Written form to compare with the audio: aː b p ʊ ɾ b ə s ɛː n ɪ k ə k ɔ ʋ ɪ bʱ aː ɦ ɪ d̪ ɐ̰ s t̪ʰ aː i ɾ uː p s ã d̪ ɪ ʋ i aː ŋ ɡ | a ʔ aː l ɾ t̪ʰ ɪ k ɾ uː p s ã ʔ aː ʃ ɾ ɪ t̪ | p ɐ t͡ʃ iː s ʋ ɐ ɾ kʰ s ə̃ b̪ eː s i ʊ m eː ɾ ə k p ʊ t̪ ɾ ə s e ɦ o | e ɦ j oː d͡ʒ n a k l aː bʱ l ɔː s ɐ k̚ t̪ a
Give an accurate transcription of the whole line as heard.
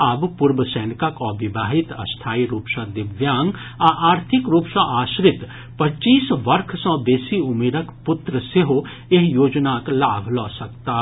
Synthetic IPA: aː b p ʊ ɾ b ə s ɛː n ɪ k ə k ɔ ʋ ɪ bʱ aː ɦ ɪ t̪ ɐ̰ s t̪ʰ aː i ɾ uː p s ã d̪ ɪ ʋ j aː ŋ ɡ | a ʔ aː ɾ t̪ʰ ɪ k ɾ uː p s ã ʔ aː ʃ ɾ ɪ t̪ | p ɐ t͡ʃ iː s ʋ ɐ ɾ kʰ s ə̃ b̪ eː s i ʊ m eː ɾ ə k p ʊ t̪ ɾ ə s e ɦ o | e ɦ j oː d͡ʒ n a k l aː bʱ l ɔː s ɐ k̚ t̪ a